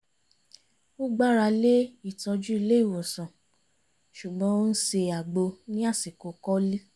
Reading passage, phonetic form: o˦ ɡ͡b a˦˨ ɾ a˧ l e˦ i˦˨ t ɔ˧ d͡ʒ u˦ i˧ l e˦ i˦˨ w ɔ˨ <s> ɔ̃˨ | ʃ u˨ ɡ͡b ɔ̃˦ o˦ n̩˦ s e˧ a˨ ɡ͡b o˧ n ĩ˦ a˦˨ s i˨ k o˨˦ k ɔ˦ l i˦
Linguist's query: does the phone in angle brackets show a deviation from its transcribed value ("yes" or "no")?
no